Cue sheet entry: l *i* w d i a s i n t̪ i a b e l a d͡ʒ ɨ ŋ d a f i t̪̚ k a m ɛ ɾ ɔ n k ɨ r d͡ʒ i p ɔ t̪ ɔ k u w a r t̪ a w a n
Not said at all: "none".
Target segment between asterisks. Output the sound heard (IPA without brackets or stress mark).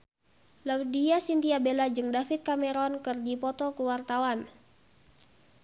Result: a